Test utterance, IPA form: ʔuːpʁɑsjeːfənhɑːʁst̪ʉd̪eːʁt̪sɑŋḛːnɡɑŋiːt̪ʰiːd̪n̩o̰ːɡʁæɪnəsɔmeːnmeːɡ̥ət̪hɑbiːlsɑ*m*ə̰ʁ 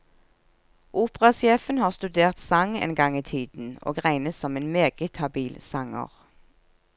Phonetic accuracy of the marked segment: incorrect: ŋ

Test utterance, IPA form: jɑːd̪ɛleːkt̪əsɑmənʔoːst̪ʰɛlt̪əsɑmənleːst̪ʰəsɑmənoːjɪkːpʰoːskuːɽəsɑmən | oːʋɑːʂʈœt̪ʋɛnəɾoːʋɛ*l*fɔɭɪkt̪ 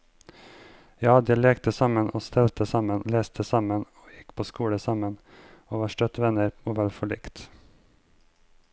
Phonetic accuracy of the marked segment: correct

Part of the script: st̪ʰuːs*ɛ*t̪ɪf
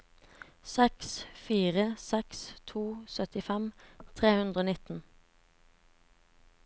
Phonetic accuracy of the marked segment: incorrect: œ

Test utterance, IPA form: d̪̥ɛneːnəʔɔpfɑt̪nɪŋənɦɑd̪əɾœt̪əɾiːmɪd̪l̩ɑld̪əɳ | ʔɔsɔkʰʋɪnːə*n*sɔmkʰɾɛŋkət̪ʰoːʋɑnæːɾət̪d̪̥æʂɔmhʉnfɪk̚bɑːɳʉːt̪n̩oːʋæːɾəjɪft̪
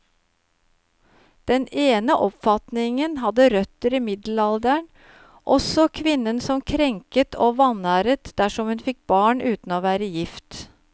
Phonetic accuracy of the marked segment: correct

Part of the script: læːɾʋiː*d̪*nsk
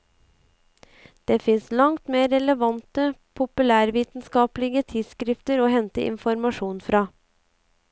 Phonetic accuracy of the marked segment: incorrect: t̪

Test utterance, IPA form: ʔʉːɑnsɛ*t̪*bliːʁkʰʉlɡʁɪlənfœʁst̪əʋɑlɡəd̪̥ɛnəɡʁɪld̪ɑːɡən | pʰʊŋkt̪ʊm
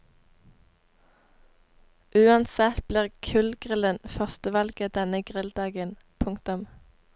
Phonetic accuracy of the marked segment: correct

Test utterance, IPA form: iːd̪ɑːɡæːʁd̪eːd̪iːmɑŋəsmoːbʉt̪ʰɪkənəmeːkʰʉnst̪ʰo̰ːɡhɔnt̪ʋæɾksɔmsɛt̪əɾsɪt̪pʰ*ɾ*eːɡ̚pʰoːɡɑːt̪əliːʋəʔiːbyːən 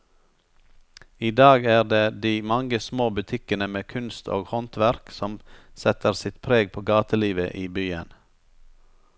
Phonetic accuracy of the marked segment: correct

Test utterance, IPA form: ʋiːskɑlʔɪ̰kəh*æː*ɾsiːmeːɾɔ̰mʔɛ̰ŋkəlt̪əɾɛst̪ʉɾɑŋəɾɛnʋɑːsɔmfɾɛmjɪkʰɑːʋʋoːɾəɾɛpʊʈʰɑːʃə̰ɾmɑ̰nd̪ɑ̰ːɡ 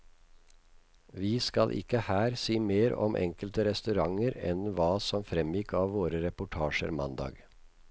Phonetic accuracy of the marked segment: correct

